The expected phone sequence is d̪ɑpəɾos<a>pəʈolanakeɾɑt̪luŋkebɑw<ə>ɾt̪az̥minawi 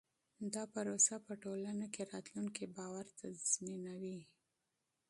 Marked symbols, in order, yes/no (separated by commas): yes, no